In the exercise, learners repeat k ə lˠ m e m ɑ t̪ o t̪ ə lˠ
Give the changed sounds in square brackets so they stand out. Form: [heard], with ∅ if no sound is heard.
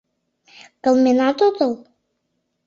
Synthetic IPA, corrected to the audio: k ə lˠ m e [n] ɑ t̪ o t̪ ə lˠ

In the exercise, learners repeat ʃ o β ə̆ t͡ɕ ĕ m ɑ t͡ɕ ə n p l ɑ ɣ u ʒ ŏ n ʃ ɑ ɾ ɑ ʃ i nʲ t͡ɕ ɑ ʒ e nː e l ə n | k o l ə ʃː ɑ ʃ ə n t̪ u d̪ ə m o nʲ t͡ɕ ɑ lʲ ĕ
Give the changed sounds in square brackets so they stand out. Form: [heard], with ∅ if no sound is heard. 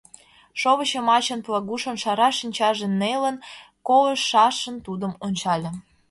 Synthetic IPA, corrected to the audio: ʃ o β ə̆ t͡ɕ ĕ m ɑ t͡ɕ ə n p l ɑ ɣ u [ʃ] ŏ n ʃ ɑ ɾ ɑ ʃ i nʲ t͡ɕ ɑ ʒ e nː e l ə n | k o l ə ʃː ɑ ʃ ə n t̪ u d̪ ə m o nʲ t͡ɕ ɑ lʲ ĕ

